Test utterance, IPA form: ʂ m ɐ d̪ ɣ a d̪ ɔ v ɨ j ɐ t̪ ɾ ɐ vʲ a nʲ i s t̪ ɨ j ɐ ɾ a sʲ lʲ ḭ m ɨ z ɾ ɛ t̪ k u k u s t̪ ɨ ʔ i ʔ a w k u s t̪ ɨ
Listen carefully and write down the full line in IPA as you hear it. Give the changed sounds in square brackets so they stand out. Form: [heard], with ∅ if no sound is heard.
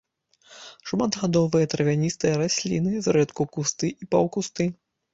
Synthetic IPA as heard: ʂ m [a] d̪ ɣ a d̪ ɔ v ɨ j ɐ t̪ ɾ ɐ vʲ a nʲ i s t̪ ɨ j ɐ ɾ a sʲ lʲ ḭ [n] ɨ z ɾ ɛ t̪ k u k u s t̪ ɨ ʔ i [p] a w k u s t̪ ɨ